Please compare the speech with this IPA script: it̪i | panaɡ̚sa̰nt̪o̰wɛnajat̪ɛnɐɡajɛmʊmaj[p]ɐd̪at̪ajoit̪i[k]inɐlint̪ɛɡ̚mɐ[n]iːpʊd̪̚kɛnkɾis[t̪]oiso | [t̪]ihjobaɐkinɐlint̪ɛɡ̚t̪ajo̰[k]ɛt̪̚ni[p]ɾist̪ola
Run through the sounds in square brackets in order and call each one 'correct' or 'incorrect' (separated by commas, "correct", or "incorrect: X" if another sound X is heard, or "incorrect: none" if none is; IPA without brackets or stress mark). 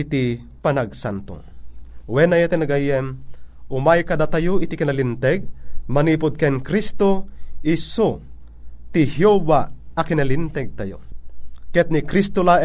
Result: incorrect: k, correct, correct, correct, correct, correct, incorrect: k